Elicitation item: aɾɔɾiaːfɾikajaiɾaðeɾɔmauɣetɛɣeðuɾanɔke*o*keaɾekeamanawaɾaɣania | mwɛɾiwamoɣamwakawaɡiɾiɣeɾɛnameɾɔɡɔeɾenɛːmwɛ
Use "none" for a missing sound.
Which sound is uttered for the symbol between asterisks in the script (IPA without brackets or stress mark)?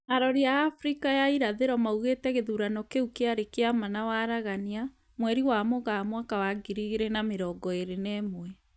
u